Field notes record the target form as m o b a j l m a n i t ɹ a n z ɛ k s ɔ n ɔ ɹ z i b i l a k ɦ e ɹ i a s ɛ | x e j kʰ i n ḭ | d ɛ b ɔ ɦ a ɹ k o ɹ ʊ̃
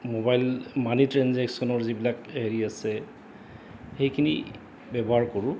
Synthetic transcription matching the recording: m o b a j l m a n i t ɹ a n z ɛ k s ɔ n ɔ ɹ z i b i l a k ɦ e ɹ i a s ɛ | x e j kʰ i n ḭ | b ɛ b ɔ ɦ a ɹ k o ɹ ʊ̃

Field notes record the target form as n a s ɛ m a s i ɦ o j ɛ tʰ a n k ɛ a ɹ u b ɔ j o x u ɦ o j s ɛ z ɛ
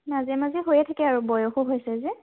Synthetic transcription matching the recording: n a z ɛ m a z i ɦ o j ɛ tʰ a k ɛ a ɹ u b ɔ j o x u ɦ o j s ɛ z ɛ

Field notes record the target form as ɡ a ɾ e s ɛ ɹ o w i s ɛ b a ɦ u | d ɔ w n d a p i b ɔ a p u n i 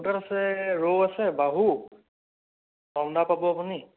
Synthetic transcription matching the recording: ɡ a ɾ a s ɛ ɹ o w a s ɛ b a ɦ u | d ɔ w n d a p a b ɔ a p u n i

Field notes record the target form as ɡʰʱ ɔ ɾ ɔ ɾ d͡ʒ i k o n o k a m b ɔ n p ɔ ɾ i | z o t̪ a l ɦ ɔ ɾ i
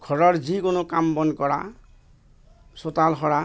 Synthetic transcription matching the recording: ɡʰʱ ɔ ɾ ɔ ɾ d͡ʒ i k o n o k a m b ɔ n k ɔ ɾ a | s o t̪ a l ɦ ɔ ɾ a

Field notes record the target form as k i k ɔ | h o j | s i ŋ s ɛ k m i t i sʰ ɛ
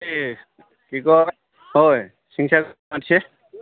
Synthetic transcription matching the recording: k i k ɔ | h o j | s i ŋ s a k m a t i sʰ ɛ

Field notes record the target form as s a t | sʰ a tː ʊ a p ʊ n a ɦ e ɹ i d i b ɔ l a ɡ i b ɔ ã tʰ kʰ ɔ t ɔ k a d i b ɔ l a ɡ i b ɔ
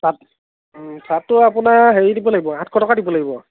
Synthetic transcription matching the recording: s a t | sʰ a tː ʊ a p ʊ n a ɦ e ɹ i d i b ɔ l a ɡ i b ɔ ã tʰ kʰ ɔ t ɔ k a d i b ɔ l a ɡ i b ɔ

